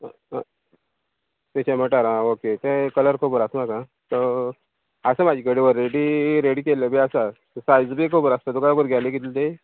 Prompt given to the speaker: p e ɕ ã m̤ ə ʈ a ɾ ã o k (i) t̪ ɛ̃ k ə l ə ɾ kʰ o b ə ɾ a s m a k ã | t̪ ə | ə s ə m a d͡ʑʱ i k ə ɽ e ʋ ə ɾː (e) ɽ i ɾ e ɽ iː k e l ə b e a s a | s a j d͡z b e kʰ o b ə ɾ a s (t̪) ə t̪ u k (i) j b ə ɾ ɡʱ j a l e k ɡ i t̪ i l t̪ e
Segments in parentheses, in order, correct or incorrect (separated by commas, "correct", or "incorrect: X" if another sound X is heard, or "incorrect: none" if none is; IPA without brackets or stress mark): incorrect: e, correct, correct, incorrect: a